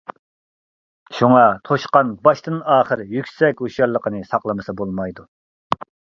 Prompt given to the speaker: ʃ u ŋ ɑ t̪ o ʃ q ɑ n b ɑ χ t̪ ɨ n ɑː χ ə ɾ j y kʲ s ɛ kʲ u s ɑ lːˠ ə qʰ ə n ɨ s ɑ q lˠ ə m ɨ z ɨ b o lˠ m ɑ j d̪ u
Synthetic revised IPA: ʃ u ŋ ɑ t̪ʰ o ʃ q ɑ n b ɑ ʃ t̪ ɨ n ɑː χ ə ɾ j y kʲ s ɛ kʲ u ʃ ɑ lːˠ ə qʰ ə n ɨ s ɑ q lˠ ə m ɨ s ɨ b o lˠ m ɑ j d̪ u

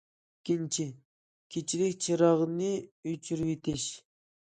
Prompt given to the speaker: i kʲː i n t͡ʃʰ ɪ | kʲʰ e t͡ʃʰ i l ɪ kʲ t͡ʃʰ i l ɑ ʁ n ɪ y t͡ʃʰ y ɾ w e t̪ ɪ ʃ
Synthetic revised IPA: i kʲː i n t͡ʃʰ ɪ | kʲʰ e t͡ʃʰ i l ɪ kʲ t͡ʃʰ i ɾ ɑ ʁ n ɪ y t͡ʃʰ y ɾ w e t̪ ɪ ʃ

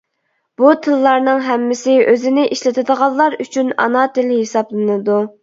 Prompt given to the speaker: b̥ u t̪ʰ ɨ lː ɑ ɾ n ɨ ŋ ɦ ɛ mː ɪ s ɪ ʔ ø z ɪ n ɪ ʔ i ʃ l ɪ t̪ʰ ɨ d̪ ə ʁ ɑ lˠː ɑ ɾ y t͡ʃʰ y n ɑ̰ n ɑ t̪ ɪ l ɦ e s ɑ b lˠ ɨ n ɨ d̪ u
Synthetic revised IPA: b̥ u t̪ʰ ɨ lː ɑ ɾ n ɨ ŋ ɦ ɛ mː ɪ s ɪ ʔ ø z ɪ n ɪ ʔ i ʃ l ɪ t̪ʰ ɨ d̪ ə ʁ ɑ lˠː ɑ ɾ y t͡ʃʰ y n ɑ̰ n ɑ t̪ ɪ l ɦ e s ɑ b lˠ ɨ n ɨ d̪ u

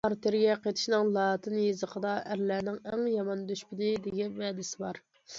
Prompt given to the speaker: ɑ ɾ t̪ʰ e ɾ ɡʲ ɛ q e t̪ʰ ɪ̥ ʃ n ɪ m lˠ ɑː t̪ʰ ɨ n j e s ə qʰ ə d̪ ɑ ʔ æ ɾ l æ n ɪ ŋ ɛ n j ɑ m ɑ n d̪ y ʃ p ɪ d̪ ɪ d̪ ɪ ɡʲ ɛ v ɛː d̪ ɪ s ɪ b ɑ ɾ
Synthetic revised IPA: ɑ ɾ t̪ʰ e ɾ ɡʲ ɛ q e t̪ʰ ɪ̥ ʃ n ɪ ŋ lˠ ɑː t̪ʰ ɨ n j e z ə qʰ ə d̪ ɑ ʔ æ ɾ l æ n ɪ ŋ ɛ ŋ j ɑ m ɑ n d̪ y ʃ p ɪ d̪ ɪ d̪ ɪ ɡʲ ɛ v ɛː d̪ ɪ s ɪ b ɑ ɾ

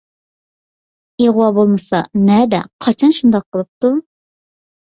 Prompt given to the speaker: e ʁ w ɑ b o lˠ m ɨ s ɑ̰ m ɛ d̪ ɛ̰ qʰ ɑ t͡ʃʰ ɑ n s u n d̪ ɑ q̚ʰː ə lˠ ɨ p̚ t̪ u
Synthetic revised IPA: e ʁ w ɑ b o lˠ m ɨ s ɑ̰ n ɛ d̪ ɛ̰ qʰ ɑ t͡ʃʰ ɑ n ʃ u n d̪ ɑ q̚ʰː ə lˠ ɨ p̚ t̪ u

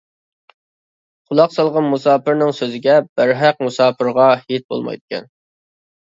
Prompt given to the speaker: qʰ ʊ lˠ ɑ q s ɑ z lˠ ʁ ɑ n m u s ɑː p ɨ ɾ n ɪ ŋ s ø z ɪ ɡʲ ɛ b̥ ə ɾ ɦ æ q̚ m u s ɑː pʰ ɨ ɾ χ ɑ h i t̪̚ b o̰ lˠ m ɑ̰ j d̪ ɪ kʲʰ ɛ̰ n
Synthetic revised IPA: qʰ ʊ lˠ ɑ q s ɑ lˠ ʁ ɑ n m u s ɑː p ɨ ɾ n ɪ ŋ s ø z ɪ ɡʲ ɛ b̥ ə ɾ ɦ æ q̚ m u s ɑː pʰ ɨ ɾ ʁ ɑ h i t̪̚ b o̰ lˠ m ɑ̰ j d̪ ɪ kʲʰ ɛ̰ n

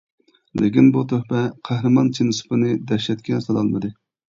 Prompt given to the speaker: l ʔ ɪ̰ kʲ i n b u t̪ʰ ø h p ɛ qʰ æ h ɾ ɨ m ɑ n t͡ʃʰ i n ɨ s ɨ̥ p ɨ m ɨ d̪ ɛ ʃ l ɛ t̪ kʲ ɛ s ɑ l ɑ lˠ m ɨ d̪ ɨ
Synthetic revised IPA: l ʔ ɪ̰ kʲ i n b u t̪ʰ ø h p ɛ qʰ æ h ɾ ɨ m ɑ n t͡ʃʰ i n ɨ s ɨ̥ p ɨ n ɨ d̪ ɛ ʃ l ɛ t̪ kʲ ɛ s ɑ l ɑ lˠ m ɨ d̪ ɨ

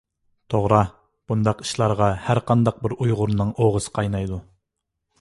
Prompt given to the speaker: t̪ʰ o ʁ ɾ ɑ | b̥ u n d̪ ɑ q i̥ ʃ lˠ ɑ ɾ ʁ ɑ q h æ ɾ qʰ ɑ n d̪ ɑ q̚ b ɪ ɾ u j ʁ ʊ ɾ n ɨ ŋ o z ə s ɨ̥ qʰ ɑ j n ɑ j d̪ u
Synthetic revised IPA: t̪ʰ o ʁ ɾ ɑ | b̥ u n d̪ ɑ q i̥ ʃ lˠ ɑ ɾ ʁ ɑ h æ ɾ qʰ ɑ n d̪ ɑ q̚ b ɪ ɾ u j ʁ ʊ ɾ n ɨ ŋ o ʁ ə s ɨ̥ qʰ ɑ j n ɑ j d̪ u

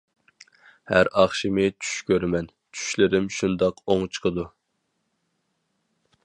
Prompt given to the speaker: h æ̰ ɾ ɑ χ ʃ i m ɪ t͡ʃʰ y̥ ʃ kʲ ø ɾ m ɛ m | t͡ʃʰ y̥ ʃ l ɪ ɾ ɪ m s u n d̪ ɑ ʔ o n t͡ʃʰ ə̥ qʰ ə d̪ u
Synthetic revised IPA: h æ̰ ɾ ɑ χ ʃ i m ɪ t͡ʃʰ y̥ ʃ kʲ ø ɾ m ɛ n | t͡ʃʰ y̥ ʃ l ɪ ɾ ɪ m ʃ u n d̪ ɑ q o ŋ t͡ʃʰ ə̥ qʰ ə d̪ u

